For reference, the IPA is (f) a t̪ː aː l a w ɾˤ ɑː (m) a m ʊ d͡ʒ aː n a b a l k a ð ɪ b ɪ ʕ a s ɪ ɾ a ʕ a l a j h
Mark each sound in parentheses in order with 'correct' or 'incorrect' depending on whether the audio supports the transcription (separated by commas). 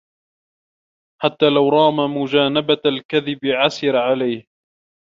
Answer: incorrect, correct